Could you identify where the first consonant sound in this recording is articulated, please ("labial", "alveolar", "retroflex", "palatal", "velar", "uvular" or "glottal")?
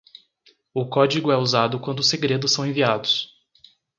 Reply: velar